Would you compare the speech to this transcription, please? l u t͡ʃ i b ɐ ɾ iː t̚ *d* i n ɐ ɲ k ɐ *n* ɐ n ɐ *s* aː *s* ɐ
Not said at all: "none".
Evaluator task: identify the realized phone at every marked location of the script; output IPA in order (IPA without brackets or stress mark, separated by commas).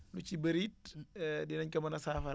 d, m, s, f